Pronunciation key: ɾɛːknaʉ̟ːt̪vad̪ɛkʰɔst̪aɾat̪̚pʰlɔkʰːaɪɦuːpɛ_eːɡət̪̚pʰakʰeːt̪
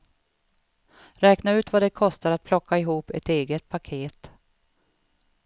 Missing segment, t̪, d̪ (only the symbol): t̪